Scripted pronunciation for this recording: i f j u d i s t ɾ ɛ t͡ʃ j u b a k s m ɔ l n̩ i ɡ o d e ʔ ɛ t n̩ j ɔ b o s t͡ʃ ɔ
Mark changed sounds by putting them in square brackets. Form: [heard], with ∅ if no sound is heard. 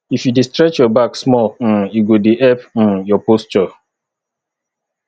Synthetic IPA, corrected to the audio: i f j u d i s t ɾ ɛ t͡ʃ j [ɔ] b a k s m ɔ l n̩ i ɡ o d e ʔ ɛ [p] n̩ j ɔ [p] o s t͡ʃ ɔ